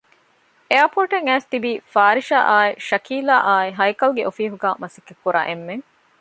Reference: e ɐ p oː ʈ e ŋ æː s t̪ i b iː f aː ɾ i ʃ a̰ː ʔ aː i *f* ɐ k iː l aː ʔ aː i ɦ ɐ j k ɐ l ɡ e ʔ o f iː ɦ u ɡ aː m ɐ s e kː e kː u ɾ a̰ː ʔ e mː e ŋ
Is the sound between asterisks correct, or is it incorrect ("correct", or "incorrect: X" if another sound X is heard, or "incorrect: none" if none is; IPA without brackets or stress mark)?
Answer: incorrect: ʃ